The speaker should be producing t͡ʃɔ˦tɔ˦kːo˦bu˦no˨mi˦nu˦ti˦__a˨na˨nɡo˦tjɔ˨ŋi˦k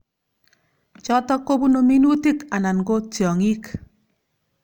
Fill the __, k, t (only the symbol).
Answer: k